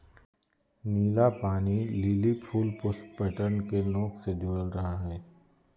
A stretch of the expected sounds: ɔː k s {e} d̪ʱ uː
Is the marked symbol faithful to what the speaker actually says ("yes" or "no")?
yes